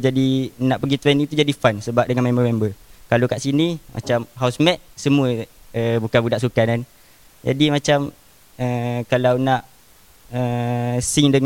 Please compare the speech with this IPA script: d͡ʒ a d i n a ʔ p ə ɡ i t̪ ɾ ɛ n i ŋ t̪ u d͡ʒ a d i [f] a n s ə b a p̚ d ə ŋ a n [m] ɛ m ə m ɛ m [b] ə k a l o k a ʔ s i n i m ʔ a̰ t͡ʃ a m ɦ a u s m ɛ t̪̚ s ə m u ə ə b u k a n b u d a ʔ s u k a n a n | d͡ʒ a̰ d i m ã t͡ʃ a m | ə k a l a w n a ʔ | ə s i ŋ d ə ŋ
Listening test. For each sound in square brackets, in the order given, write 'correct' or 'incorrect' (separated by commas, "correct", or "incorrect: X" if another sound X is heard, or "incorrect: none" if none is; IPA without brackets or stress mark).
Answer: correct, correct, correct